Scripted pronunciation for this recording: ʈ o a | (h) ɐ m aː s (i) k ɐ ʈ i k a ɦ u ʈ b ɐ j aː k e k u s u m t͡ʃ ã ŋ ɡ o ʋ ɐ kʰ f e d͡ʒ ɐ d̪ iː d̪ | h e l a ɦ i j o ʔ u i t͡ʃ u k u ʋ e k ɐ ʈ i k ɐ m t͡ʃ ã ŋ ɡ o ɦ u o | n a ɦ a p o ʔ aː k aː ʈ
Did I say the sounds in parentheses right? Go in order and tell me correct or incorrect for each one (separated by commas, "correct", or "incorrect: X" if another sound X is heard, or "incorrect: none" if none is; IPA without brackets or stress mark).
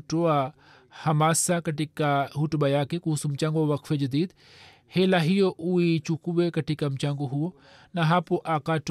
correct, incorrect: a